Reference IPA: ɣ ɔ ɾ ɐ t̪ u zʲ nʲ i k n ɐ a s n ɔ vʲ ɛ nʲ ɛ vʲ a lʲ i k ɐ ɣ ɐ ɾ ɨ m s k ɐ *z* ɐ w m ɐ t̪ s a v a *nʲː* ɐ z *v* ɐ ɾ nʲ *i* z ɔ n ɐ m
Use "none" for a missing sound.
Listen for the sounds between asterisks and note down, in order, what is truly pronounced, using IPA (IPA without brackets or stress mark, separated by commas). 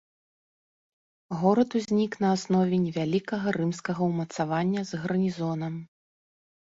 ɣ, nʲː, ɣ, i